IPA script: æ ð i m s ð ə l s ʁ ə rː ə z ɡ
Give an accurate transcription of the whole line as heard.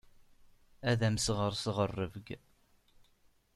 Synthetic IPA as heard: æ ð æ m s ʁ ə ɾ s ʁ ə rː ə v ɡ